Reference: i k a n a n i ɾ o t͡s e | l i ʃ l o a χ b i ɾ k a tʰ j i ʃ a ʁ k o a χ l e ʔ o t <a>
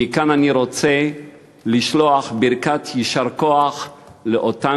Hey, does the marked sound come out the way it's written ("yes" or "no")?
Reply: yes